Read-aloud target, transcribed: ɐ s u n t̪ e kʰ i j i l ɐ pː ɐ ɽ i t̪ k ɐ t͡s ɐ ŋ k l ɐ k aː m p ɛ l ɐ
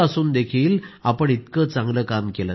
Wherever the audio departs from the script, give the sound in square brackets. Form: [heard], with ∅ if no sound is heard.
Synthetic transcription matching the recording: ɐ s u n [d̪] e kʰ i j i l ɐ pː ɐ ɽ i t̪ k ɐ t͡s ɐ ŋ [ɡ] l ɐ k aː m [k] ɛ l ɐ

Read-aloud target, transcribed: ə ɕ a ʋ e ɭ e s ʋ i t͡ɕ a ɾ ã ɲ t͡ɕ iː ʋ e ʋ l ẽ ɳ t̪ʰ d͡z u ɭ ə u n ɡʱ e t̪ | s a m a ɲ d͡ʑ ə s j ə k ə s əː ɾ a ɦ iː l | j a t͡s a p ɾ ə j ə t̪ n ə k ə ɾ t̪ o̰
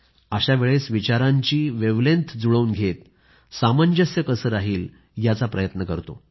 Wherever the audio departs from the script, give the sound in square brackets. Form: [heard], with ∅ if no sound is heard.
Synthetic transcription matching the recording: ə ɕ a ʋ e ɭ e s ʋ i t͡ɕ a ɾ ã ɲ t͡ɕ iː ʋ e ʋ l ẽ [n] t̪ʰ d͡z u ɭ ə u n ɡʱ e t̪ | s a m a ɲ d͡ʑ ə s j ə k ə s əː ɾ a ɦ iː l | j a t͡s a p ɾ ə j ə t̪ n ə k ə ɾ t̪ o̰

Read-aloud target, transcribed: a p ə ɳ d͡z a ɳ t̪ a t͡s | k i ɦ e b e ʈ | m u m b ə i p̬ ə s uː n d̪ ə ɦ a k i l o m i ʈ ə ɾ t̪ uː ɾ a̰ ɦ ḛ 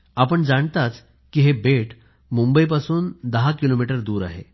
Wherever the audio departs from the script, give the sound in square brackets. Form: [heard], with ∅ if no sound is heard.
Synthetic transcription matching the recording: a p ə ɳ d͡z a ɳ t̪ a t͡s | k i ɦ e b e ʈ | m u m b ə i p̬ [a] s uː n d̪ ə ɦ a k i l o m i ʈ ə ɾ [d̪] uː ɾ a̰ ɦ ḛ

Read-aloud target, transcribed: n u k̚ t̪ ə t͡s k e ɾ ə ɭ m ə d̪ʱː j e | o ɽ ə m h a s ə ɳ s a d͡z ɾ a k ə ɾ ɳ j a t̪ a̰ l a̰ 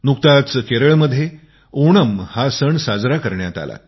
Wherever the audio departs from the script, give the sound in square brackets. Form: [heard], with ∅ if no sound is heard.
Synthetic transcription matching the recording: n u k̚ t̪ [a] t͡s k e ɾ ə ɭ m ə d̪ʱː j e | o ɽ ə m h a s ə ɳ s a d͡z ɾ a k ə ɾ ɳ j a t̪ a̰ l a̰

